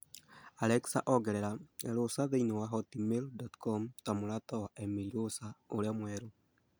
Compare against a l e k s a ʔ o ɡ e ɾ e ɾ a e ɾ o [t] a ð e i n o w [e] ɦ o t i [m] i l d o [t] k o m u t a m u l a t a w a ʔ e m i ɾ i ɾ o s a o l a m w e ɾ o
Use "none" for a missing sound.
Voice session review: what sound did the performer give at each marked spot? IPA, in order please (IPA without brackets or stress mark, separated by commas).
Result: s, a, m, t